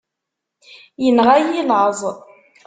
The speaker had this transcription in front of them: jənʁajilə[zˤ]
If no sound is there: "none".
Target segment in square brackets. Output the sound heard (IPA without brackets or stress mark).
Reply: zˤ